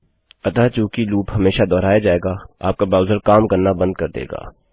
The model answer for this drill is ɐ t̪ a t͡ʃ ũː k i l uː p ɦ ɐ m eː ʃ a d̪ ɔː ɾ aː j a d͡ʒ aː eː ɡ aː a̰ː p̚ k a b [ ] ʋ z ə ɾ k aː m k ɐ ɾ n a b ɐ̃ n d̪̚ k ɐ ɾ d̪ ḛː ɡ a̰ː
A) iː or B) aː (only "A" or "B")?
B